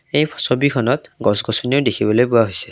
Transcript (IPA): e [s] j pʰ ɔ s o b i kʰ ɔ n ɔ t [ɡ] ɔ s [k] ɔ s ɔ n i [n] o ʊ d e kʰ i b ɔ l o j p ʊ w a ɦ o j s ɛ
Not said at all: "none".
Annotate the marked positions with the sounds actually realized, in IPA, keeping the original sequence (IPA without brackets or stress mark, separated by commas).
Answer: none, ɡ, ɡ, none